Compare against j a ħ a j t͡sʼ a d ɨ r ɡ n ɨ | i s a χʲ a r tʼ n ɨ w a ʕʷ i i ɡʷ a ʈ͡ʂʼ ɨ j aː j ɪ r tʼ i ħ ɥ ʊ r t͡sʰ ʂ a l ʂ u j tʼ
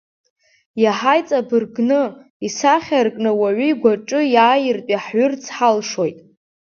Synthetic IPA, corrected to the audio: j a ħ a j t͡sʼ a b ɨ r ɡ n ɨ | i s a χʲ a r kʼ n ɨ w a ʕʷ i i ɡʷ a ʈ͡ʂʼ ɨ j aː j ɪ r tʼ i ħ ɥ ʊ r t͡sʰ ħ a l ʂ o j tʼ